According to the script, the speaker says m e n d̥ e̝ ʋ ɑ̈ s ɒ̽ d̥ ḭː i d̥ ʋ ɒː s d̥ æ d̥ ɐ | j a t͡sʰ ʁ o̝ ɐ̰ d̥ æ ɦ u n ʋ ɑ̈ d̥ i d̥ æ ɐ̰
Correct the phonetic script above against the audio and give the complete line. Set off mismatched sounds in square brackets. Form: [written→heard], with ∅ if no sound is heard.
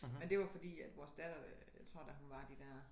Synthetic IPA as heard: m e n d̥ e̝ ʋ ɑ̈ [s→f] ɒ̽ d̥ ḭː [i→æ] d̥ ʋ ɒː s d̥ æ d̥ ɐ | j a t͡sʰ ʁ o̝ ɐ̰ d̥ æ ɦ u n ʋ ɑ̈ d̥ i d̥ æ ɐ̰